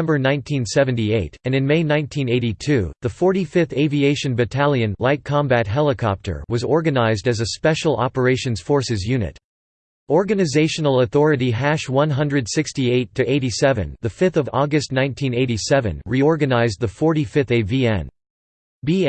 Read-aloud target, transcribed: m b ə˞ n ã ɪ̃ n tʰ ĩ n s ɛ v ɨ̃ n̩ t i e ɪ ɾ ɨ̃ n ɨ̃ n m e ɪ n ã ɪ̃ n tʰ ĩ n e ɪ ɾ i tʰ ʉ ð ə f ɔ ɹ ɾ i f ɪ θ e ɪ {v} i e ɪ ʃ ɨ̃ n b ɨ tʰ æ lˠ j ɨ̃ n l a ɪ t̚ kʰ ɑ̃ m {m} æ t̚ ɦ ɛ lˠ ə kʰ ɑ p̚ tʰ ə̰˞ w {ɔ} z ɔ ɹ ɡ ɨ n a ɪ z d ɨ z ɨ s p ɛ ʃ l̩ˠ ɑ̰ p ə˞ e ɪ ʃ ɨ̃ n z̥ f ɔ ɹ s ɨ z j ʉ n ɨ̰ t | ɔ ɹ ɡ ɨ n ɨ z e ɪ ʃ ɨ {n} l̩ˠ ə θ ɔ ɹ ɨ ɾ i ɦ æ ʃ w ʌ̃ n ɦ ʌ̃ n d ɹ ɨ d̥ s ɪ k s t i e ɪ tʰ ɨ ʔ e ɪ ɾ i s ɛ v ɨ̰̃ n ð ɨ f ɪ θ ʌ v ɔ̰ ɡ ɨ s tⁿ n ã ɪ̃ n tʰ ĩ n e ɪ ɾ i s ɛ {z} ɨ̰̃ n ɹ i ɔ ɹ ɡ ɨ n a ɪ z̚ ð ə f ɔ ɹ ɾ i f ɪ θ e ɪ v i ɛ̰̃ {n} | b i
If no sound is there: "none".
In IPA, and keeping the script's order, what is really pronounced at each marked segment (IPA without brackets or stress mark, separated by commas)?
v, b, ʌ, n, v, n